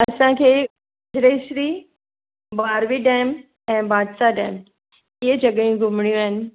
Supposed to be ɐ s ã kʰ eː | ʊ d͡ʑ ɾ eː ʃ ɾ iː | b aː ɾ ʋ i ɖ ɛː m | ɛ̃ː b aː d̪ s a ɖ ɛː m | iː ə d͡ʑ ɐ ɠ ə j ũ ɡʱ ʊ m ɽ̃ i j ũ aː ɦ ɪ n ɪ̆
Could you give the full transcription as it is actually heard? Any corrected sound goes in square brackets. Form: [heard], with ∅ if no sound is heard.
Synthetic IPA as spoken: ɐ s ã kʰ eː | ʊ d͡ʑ ɾ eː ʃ ɾ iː | b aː ɾ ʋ i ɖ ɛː m | ɛ̃ː b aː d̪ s a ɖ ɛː m | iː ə d͡ʑ ɐ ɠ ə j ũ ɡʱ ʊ m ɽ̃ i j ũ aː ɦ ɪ n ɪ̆